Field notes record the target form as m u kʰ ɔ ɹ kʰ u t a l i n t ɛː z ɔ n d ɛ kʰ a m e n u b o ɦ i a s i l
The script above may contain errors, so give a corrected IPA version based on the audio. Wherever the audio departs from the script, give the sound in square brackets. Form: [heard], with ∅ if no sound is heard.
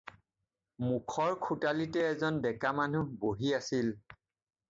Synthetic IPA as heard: m u kʰ ɔ ɹ kʰ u t a l i [∅] t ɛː z ɔ n d ɛ [k] a m [a] n u b o ɦ i a s i l